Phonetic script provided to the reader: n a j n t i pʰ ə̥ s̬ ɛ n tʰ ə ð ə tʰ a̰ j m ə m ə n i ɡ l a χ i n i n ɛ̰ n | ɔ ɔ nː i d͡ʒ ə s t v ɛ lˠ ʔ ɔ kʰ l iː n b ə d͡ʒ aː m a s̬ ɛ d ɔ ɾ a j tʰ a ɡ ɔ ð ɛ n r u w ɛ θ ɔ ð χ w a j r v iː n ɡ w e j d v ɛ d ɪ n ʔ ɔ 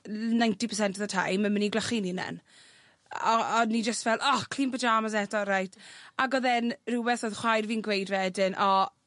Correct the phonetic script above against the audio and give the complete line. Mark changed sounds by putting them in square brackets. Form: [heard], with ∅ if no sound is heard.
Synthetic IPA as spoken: n a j n t i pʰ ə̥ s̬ ɛ n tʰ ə ð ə tʰ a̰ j m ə m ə n i ɡ l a χ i n i n ɛ̰ n | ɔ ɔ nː i d͡ʒ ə s t v ɛ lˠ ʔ ɔ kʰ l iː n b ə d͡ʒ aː m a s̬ ɛ d ɔ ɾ a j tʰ a ɡ ɔ ð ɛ n r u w ɛ θ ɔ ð χ w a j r v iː n ɡ w e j d v ɛ d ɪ n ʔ ɔ